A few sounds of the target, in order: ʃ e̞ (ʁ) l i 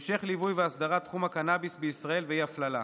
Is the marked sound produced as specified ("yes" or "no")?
no